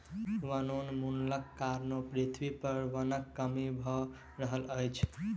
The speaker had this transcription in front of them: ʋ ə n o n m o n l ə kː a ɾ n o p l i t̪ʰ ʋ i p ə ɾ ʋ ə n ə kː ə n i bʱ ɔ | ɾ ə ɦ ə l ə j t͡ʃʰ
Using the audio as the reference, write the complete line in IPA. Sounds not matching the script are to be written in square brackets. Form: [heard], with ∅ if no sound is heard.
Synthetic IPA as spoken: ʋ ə n o n m [u] n l ə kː a ɾ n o p [ɾ] i t̪ʰ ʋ i p ə ɾ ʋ ə n ə kː ə [m] i bʱ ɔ | ɾ ə ɦ ə l ə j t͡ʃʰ